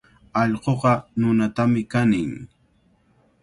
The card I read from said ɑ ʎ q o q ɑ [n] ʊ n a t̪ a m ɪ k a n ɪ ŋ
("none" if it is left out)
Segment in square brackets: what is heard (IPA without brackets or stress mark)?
n